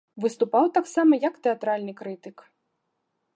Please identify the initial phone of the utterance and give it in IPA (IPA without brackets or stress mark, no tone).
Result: v